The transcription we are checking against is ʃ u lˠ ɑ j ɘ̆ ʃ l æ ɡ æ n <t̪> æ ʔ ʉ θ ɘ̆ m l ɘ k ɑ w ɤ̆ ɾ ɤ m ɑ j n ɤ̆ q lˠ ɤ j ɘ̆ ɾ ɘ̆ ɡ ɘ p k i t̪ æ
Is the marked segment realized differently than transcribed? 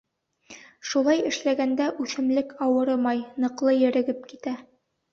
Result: yes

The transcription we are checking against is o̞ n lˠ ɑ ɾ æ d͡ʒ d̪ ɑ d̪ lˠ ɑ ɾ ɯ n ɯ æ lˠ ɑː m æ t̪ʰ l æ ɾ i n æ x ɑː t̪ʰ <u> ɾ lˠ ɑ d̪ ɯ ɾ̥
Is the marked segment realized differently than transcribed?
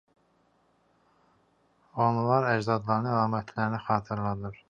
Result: yes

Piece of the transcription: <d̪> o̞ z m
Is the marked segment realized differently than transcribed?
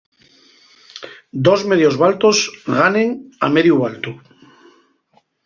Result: no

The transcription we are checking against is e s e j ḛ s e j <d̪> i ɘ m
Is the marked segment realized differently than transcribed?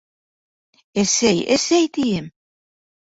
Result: yes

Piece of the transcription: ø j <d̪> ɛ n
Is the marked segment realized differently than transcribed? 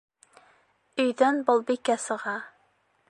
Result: no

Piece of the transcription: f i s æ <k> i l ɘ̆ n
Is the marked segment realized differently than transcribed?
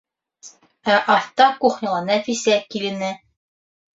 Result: no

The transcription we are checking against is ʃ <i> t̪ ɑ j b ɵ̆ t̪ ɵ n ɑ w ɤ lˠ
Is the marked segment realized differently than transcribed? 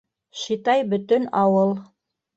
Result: no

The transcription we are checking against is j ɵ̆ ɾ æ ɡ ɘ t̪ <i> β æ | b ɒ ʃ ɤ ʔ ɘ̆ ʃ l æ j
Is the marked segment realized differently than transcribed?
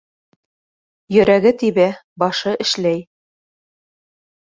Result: no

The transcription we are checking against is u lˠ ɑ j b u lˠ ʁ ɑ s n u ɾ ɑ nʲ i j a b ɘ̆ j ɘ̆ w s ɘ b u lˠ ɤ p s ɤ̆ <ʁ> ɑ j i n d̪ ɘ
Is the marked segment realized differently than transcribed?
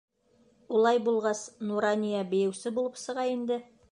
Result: no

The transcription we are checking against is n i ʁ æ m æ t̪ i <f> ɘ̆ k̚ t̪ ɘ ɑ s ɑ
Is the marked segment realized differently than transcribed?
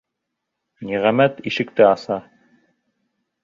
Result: yes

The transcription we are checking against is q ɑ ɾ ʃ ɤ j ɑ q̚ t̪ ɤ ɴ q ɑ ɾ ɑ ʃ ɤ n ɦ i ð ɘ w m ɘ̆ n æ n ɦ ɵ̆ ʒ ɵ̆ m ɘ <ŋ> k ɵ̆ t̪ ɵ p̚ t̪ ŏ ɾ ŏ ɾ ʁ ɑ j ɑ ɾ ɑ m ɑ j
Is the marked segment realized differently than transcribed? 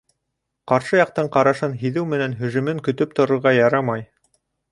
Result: no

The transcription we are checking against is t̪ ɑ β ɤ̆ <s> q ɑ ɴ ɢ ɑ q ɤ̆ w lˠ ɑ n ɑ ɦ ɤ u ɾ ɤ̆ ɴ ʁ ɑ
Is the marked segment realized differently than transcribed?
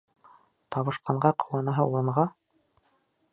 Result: yes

